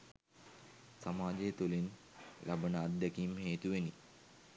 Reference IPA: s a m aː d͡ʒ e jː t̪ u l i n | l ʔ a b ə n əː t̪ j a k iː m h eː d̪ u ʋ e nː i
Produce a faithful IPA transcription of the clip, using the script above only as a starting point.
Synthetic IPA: s a m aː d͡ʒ e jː t̪ u l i n | l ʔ a b ə n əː d̪ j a k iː m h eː t̪ u ʋ e n i